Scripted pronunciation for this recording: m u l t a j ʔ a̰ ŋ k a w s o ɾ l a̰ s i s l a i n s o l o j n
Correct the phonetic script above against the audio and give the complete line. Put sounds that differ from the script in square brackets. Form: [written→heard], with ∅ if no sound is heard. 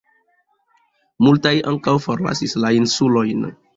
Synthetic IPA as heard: m u l t a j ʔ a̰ ŋ k a w [s→f] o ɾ l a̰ s i s l a i n s [o→u] l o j n